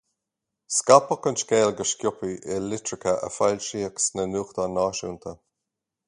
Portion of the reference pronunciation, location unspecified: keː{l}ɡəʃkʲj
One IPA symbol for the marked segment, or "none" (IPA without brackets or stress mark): l